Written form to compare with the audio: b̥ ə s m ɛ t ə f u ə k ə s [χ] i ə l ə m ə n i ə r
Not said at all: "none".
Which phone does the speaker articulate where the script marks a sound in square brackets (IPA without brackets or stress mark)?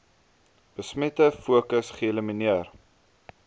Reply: χ